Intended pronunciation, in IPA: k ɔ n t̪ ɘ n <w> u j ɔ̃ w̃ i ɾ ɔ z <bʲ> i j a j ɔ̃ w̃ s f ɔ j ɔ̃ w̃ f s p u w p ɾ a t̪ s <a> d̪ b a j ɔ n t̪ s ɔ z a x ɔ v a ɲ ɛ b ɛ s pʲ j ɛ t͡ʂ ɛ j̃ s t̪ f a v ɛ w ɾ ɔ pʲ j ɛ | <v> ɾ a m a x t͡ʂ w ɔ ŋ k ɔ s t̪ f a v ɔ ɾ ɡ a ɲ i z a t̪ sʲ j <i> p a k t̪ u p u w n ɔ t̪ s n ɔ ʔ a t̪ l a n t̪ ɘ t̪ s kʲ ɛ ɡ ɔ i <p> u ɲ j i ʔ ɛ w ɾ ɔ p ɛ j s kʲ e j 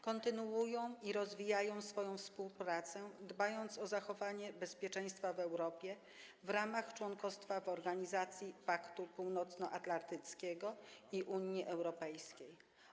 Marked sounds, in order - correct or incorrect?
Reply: incorrect: u, incorrect: vʲ, incorrect: ɛ, correct, correct, incorrect: ʔ

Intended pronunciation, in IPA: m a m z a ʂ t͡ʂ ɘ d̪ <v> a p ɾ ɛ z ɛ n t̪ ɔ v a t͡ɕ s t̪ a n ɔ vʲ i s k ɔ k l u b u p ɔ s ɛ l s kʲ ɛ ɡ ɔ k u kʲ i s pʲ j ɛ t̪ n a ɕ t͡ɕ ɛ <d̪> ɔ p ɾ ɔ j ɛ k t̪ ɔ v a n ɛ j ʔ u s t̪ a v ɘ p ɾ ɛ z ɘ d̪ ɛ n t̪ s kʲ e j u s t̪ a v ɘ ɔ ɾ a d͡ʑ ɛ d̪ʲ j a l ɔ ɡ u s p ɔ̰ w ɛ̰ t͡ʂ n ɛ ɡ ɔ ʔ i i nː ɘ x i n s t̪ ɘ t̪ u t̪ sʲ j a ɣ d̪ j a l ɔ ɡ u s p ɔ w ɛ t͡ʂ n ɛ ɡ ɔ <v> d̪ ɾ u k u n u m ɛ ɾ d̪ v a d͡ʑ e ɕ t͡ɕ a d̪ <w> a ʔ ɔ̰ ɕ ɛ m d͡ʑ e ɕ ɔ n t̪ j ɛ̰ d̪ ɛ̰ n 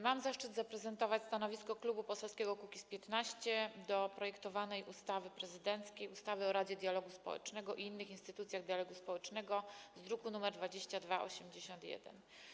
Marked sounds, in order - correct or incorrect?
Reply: incorrect: z, correct, incorrect: z, incorrect: v

